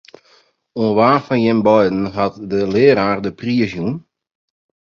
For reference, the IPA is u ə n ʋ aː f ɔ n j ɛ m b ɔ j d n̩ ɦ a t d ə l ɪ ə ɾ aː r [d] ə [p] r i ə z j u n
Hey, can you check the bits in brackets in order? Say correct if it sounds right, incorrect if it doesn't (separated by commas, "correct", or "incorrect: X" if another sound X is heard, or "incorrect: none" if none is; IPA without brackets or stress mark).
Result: correct, correct